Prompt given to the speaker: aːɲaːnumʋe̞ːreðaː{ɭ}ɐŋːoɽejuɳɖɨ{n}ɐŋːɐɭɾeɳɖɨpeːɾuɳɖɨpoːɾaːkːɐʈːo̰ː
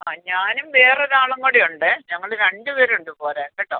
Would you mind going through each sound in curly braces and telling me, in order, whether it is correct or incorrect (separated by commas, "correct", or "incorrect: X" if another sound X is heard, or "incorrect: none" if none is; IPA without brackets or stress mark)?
correct, incorrect: ɲ